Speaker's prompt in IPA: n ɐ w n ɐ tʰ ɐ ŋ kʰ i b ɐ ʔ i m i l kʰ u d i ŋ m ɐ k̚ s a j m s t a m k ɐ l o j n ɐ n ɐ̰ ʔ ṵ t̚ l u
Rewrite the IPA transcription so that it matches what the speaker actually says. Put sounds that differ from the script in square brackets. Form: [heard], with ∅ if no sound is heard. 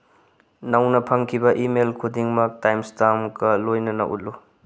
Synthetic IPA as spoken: n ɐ w n ɐ [pʰ] ɐ ŋ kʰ i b ɐ ʔ i m [e] l kʰ u d i ŋ m ɐ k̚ [t] a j m s t a m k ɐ l o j n ɐ n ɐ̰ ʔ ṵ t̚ l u